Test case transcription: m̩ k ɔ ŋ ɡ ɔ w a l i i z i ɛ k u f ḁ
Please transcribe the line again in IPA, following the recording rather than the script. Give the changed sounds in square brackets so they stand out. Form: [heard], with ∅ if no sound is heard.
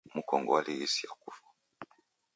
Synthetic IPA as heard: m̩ k ɔ ŋ ɡ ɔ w a l i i [s] i [a] k u f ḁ